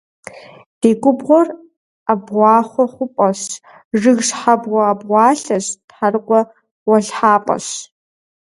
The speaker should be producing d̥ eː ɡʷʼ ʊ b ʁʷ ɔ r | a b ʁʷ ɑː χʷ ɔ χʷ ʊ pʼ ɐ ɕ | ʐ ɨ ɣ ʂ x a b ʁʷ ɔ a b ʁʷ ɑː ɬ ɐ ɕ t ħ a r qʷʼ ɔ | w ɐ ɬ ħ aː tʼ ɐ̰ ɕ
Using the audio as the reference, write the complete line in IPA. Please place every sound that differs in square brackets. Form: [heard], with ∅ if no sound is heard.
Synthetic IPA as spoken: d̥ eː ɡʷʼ ʊ b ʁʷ ɔ r | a b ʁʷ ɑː χʷ ɔ χʷ ʊ pʼ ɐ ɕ | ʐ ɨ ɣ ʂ [ħ] a b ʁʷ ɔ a b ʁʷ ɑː ɬ ɐ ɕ t ħ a r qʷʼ ɔ | w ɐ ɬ ħ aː [pʼ] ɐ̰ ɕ